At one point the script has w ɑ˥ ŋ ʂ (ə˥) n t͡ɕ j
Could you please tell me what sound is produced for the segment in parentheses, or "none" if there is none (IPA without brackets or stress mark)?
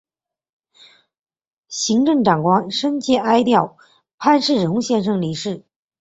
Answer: ə˥